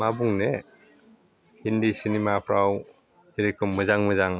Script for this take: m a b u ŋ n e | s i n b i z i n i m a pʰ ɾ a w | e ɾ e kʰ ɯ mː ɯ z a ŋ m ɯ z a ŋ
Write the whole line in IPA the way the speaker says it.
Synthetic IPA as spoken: m a b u ŋ n e | h i n d i s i n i m a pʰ ɾ a w | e ɾ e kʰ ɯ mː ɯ z a ŋ m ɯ z a ŋ